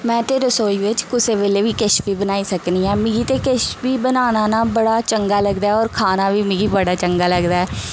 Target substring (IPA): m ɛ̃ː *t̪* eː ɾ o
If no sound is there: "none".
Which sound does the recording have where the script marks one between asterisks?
t̪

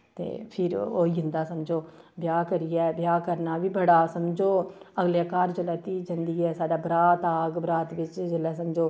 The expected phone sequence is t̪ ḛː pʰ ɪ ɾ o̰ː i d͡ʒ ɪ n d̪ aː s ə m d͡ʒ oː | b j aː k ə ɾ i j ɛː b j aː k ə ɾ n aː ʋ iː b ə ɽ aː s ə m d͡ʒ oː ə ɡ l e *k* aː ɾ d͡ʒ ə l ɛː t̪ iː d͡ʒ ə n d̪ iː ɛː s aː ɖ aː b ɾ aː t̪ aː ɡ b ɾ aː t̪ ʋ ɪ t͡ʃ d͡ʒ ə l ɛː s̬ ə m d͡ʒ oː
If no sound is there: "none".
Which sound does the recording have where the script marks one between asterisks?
k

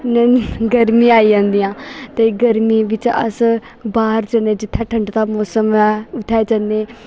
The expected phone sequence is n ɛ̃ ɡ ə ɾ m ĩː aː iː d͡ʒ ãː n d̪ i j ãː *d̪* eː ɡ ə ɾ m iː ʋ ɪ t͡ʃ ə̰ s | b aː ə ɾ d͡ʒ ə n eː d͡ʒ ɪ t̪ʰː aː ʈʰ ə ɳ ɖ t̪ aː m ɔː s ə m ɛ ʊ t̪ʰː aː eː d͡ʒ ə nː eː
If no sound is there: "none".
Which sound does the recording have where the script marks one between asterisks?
t̪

